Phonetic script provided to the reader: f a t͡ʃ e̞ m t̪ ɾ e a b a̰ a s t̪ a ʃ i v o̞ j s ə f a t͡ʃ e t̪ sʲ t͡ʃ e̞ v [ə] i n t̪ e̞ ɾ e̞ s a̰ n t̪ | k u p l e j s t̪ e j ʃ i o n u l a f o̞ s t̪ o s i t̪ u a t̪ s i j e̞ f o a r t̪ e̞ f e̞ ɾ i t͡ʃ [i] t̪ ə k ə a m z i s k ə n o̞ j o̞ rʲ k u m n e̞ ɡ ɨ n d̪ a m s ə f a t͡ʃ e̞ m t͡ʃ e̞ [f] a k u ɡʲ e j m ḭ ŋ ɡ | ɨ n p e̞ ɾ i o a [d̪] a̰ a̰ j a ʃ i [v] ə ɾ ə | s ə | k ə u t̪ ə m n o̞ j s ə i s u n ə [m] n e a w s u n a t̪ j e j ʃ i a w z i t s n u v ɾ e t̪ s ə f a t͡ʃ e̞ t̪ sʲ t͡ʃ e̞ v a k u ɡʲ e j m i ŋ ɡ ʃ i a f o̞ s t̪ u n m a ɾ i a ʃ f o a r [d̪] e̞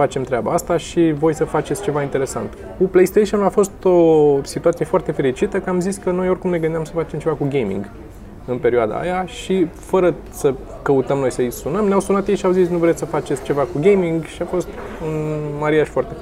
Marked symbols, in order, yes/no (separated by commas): no, yes, no, yes, no, yes, no